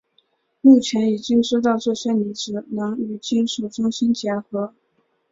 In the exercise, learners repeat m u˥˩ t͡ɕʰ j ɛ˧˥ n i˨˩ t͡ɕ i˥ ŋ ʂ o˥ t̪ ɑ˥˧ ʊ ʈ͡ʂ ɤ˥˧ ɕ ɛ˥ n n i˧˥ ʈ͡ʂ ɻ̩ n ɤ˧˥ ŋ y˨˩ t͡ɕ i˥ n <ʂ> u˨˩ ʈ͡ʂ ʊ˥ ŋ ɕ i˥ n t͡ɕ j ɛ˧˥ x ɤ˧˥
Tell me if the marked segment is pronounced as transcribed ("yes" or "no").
yes